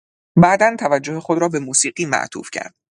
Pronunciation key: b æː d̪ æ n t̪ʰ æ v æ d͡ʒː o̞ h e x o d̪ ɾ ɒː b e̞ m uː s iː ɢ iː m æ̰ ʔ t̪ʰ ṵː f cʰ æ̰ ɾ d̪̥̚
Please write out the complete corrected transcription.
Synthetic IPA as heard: b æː d̪ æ n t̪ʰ æ v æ d͡ʒː o̞ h e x o d̪ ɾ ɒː b e̞ m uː s iː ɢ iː m æ̰ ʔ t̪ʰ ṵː f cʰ æ̰ ɾ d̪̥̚